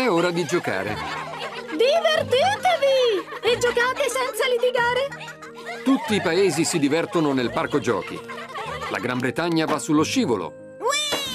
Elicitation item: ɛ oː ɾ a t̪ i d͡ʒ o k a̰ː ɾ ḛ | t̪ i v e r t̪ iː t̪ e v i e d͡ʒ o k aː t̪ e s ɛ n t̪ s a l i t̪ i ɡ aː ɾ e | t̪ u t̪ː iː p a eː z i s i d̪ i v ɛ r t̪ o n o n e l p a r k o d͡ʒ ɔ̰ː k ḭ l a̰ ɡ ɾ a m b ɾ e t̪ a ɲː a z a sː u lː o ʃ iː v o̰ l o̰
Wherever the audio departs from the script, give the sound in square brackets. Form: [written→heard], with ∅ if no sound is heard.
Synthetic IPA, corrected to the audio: ɛ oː ɾ a [t̪→d̪] i d͡ʒ o k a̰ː ɾ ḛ | [t̪→d̪] i v e r t̪ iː t̪ e v i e d͡ʒ o k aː t̪ e s ɛ n t̪ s a l i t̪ i ɡ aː ɾ e | t̪ u t̪ː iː p a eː z i s i d̪ i v ɛ r t̪ o n o n e l p a r k o d͡ʒ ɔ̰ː k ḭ l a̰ ɡ ɾ a m b ɾ e t̪ a ɲː a [z→v] a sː u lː o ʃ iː v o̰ l o̰